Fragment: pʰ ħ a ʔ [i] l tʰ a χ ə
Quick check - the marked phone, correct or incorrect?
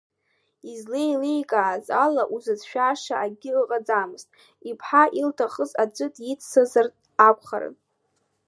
correct